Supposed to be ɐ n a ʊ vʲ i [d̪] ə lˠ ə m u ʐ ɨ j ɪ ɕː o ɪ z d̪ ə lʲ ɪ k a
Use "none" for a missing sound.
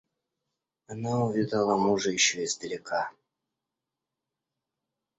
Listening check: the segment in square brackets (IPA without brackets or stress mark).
d̪